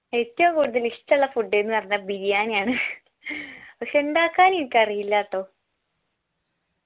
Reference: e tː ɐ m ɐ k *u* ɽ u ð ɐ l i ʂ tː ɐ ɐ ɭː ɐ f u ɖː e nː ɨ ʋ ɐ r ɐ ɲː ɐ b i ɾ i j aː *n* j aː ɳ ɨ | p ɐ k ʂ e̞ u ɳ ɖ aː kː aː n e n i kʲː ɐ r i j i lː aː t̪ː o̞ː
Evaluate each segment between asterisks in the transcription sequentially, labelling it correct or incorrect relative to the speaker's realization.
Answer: incorrect, correct

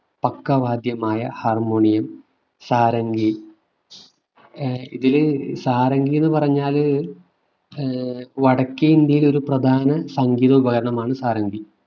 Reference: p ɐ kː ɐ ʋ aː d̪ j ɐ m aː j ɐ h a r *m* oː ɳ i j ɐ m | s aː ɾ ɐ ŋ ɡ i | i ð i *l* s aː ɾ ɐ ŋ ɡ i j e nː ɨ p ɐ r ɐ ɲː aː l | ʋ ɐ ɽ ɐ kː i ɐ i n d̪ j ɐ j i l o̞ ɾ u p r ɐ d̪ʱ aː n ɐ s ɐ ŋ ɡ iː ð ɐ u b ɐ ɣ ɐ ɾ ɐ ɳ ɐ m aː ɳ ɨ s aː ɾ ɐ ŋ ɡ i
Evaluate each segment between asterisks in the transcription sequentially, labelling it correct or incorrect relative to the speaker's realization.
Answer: correct, correct

